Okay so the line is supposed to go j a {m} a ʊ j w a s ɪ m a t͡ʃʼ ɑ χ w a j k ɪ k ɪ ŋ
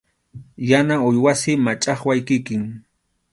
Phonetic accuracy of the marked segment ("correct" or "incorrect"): incorrect